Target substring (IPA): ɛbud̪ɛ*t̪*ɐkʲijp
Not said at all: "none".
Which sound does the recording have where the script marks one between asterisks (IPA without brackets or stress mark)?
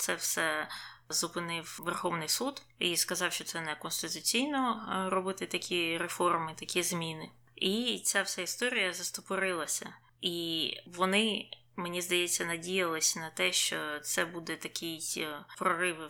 t̪